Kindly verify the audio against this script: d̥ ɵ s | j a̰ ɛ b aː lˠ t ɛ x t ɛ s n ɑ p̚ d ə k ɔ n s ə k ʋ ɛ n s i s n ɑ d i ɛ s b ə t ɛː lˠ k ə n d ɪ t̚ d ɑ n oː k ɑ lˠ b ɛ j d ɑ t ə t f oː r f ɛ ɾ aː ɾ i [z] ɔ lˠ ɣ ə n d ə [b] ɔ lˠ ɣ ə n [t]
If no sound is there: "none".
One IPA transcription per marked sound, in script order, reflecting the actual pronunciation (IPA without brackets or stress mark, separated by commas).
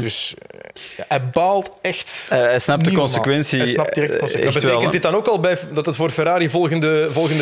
v, v, d